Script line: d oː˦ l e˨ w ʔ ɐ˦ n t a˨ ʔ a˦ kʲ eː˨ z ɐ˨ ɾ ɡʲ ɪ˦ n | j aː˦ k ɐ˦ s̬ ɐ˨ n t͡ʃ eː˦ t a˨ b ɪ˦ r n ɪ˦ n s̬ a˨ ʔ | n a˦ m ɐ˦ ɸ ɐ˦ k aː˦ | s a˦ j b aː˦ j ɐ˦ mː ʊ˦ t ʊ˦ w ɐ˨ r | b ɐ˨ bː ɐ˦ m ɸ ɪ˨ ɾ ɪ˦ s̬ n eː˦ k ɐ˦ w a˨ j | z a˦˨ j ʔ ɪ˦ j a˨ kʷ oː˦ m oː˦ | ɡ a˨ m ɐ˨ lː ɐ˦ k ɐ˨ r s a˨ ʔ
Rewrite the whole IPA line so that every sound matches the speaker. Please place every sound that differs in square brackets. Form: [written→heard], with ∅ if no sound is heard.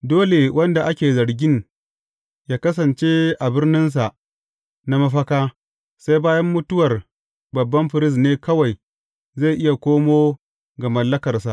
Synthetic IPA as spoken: d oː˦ l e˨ w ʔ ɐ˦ n [t→d] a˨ ʔ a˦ kʲ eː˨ z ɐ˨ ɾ ɡʲ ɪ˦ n | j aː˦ k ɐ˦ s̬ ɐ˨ n t͡ʃ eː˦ [t→ʔ] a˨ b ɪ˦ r n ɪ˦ n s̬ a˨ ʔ | n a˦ m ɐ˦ ɸ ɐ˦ k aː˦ | s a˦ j b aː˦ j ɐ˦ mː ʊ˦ t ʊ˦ w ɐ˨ r | b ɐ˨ bː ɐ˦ m ɸ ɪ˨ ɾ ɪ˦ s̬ n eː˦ k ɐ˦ w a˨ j | z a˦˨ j ʔ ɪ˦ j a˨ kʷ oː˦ m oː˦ | ɡ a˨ m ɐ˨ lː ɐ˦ k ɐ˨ r s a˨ ʔ